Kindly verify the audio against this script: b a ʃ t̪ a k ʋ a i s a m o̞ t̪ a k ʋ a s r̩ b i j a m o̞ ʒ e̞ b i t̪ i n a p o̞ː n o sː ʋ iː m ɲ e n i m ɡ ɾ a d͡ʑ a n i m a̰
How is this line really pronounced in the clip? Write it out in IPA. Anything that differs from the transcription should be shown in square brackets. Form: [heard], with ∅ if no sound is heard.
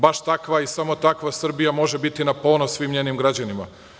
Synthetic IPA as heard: b a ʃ t̪ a k ʋ a i s a m o̞ t̪ a k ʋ a s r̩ b i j a m o̞ ʒ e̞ b i t̪ i n a p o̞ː n o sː ʋ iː m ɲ e n i m ɡ ɾ a d͡ʑ a n i m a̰